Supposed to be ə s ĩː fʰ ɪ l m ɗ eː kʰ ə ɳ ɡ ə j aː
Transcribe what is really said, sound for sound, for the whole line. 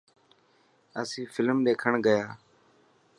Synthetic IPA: ə s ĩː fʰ ɪ l m ɗ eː kʰ ə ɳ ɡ ə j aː